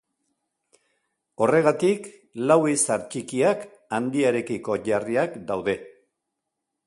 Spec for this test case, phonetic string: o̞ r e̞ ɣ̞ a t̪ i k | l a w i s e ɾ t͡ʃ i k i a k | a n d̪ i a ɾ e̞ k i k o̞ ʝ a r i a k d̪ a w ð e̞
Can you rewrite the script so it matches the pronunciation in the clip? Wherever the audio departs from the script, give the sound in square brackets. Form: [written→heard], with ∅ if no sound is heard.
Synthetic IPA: o̞ r e̞ ɣ̞ a t̪ i k | l a w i s [e→a] ɾ t͡ʃ i k i a k | a n d̪ i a ɾ e̞ k i k o̞ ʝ a r i a k d̪ a w ð e̞